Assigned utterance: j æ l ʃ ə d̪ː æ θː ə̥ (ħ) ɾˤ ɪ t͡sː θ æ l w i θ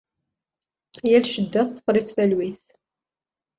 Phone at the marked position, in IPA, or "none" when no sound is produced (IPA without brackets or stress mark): f